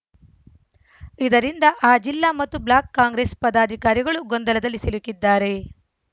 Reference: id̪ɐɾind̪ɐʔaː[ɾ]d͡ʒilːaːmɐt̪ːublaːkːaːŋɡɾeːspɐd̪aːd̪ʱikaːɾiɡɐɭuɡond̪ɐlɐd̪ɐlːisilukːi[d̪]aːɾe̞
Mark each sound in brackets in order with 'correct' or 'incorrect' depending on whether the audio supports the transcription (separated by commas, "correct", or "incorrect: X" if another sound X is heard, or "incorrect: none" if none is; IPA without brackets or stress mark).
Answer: incorrect: none, incorrect: d̪ː